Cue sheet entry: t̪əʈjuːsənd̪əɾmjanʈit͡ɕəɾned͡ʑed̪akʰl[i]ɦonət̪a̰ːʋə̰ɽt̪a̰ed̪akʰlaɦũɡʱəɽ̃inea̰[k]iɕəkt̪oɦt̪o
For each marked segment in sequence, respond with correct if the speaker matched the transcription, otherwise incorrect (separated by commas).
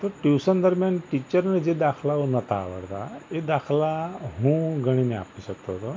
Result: incorrect, incorrect